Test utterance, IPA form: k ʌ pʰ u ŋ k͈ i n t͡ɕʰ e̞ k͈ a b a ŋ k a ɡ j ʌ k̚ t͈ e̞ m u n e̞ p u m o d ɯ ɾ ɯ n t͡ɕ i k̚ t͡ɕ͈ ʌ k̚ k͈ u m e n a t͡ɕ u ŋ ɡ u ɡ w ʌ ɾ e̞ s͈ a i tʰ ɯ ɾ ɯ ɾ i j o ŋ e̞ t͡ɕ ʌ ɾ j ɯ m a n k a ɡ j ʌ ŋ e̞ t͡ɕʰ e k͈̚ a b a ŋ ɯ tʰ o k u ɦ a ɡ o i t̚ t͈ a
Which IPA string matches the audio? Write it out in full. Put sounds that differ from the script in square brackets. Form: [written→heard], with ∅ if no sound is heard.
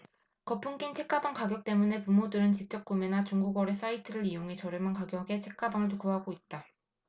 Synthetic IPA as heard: k ʌ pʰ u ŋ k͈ i n t͡ɕʰ e̞ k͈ a b a ŋ k a ɡ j ʌ k̚ t͈ e̞ m u n e̞ p u m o d ɯ ɾ ɯ n t͡ɕ i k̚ t͡ɕ͈ ʌ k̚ k͈ u m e n a t͡ɕ u ŋ ɡ u ɡ w ʌ ɾ e̞ s͈ a i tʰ ɯ ɾ ɯ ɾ i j o ŋ e̞ t͡ɕ ʌ ɾ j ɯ m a n k a ɡ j ʌ [ŋ→ɡ] e̞ t͡ɕʰ e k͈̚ a b a ŋ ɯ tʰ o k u ɦ a ɡ o i t̚ t͈ a